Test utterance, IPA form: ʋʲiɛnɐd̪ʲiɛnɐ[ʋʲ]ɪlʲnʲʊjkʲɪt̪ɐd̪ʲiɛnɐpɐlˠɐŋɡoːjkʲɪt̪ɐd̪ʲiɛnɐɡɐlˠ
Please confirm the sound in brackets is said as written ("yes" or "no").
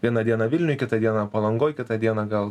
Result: yes